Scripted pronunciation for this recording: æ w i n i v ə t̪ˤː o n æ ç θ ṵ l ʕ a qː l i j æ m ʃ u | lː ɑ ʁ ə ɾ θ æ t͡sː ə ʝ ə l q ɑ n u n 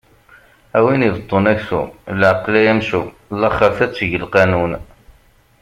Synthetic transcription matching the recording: æ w i n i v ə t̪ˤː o n æ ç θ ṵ l ʕ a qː l æ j æ m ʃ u | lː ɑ χ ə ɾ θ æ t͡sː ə ʝ ə l q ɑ n u n